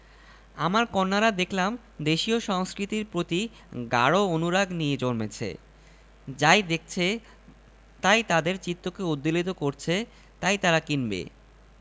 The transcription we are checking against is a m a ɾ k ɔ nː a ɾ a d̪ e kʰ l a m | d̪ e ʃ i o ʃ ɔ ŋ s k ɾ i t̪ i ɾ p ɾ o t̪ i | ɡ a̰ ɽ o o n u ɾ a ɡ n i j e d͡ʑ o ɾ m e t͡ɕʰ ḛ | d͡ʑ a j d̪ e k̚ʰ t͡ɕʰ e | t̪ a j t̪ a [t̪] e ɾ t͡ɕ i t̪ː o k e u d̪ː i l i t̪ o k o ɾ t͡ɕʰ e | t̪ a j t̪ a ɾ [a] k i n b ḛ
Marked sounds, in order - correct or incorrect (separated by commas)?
incorrect, correct